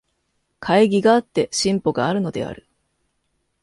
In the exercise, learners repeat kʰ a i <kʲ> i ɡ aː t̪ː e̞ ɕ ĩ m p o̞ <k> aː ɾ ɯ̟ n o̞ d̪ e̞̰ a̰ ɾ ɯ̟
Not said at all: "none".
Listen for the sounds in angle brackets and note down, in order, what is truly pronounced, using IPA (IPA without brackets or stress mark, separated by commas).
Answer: ɡʲ, ɡ